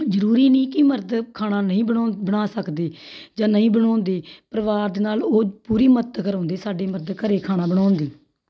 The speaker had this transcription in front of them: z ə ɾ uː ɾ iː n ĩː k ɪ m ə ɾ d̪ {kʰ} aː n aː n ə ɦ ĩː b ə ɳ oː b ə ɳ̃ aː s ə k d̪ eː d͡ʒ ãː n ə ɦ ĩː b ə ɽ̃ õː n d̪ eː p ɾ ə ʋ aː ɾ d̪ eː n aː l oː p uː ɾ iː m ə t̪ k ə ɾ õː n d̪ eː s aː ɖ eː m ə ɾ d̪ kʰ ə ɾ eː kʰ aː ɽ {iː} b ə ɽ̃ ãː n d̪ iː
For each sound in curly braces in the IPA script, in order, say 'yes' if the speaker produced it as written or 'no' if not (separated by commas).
yes, no